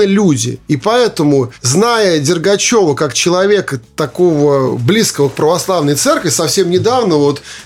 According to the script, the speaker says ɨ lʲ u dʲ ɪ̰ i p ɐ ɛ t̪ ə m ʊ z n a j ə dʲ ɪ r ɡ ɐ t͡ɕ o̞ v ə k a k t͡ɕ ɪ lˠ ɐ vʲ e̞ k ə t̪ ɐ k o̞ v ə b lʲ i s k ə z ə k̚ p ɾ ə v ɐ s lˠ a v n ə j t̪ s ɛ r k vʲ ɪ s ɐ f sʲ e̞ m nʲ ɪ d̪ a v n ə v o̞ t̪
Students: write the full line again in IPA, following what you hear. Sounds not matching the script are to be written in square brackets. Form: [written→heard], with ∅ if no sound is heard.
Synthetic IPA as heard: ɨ lʲ u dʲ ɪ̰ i p ɐ ɛ t̪ ə m ʊ z n a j ə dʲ ɪ r ɡ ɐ t͡ɕ o̞ v ə k a k t͡ɕ ɪ lˠ ɐ vʲ e̞ k ə t̪ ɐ k o̞ v ə b lʲ i s k ə [z→v] ə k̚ p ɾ ə v ɐ s lˠ a v n ə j t̪ s ɛ r k vʲ ɪ s ɐ f sʲ e̞ m nʲ ɪ d̪ a v n ə v o̞ t̪